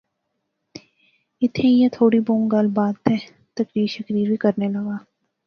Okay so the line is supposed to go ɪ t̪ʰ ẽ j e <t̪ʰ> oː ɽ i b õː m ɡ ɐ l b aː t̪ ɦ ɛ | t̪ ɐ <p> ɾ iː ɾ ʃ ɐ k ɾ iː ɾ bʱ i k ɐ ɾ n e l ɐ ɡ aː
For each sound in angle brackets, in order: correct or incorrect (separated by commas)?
correct, incorrect